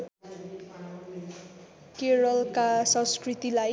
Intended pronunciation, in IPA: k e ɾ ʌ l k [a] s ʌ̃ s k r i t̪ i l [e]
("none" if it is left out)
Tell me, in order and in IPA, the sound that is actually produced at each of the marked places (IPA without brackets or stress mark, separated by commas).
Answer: a, a